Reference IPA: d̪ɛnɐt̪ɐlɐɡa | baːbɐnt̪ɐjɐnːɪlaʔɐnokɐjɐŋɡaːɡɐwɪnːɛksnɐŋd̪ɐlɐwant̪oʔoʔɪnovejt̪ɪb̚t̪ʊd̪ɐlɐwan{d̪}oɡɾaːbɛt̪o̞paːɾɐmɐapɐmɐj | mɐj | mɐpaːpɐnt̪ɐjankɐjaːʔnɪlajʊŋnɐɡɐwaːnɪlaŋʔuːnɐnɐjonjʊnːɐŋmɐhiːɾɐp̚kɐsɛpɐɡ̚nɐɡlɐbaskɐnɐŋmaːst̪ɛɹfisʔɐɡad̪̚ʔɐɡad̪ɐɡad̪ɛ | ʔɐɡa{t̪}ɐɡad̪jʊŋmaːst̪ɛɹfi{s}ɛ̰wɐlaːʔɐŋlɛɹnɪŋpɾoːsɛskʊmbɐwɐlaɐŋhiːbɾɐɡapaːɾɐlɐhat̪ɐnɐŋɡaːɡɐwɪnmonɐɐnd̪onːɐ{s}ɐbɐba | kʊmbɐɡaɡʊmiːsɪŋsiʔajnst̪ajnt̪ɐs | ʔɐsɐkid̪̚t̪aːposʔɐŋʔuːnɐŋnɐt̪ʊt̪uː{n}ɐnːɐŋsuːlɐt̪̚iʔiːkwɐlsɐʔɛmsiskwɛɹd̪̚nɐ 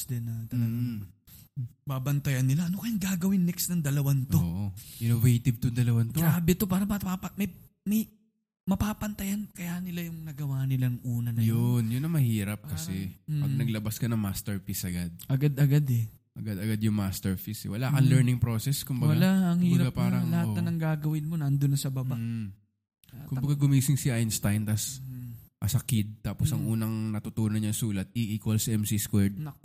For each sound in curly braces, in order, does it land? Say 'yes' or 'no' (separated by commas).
no, no, yes, yes, yes